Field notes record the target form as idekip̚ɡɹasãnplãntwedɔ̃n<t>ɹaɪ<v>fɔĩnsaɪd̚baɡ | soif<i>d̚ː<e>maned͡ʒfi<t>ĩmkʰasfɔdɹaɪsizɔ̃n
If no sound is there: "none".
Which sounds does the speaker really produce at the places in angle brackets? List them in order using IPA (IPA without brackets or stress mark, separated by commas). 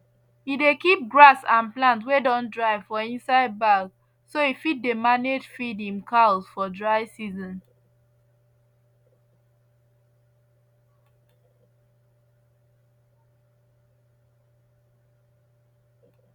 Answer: d, v, i, e, d